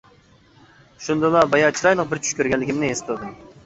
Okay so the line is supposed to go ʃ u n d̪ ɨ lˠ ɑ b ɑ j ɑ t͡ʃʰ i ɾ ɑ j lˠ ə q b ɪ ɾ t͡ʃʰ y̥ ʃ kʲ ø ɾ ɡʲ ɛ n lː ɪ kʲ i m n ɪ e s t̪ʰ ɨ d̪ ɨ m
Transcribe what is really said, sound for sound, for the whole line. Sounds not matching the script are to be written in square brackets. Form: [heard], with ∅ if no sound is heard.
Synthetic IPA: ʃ u n d̪ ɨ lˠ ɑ b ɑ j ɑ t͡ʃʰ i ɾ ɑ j lˠ ə q b ɪ ɾ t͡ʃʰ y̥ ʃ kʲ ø ɾ ɡʲ ɛ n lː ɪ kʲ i m n ɪ e s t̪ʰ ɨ d̪ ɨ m